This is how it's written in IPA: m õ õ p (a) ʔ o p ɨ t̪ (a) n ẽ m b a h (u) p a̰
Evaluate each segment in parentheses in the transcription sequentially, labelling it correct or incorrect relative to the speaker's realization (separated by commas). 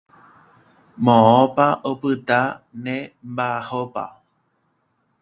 correct, correct, incorrect